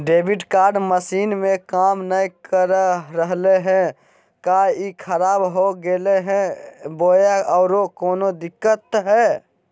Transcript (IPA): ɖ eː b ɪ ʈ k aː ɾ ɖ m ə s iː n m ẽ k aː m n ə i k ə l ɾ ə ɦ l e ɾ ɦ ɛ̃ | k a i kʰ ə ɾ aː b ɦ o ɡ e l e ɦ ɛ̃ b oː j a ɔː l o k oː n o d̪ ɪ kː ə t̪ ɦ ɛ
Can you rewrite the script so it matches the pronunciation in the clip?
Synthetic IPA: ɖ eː b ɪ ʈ k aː ɾ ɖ m ə s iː n m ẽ k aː m n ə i k ə ɾ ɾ ə ɦ l e ɦ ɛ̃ | k a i kʰ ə ɾ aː b ɦ o ɡ e l e ɦ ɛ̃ b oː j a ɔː ɾ o k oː n o d̪ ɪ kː ə t̪ ɦ ɛ